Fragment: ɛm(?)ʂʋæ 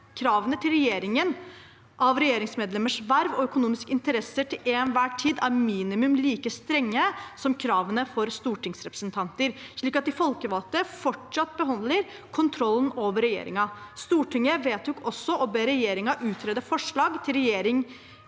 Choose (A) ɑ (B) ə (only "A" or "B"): B